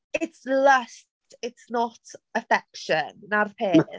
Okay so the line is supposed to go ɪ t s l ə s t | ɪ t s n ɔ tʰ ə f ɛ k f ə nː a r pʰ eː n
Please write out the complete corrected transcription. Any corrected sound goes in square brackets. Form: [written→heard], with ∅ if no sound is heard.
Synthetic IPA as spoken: ɪ t s l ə s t | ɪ t s n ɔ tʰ ə f ɛ k [f→ʃ] ə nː a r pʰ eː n